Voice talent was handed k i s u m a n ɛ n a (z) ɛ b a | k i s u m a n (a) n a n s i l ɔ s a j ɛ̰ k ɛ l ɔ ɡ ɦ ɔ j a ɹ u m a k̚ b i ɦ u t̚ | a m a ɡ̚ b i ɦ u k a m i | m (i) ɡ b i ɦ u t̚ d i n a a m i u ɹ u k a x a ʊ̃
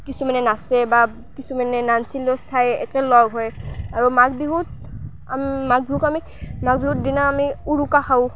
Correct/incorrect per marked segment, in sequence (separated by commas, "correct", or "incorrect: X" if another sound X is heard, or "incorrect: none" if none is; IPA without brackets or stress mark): incorrect: s, incorrect: ɛ, incorrect: a